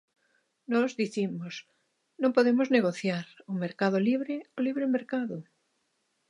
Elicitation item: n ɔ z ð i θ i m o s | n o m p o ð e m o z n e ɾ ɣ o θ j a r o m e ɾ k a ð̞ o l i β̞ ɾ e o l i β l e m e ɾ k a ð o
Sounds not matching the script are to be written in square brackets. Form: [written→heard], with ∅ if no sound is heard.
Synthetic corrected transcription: n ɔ z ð i θ i m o s | n [o→õ] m p o ð e m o z n e [ɾ→∅] ɣ o θ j a [r→ɾ] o m e ɾ k a ð̞ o l i β̞ ɾ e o l i β [l→ɾ] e m e ɾ k a ð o